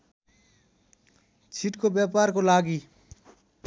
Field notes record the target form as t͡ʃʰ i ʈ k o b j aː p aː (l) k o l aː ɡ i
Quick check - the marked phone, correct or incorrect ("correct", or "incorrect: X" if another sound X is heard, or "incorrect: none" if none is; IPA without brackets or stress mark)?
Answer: incorrect: ɾ